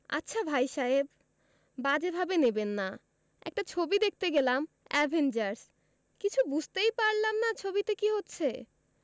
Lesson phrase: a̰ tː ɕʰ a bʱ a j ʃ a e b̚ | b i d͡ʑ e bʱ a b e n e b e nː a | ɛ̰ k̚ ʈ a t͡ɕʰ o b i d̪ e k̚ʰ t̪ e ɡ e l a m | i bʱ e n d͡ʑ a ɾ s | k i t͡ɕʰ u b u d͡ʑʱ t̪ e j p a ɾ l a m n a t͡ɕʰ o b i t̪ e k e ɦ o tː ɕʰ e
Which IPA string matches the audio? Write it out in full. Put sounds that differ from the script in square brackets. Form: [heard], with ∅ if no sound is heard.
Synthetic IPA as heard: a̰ tː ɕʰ a bʱ a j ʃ a e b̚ | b [a] d͡ʑ e bʱ a b e n e b e nː a | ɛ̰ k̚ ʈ a t͡ɕʰ o b i d̪ e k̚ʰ t̪ e ɡ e l a m | [ɛ] bʱ e n d͡ʑ a ɾ s | k i t͡ɕʰ u b u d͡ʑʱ t̪ e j p a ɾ l a m n a t͡ɕʰ o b i t̪ e k [i] ɦ o tː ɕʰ e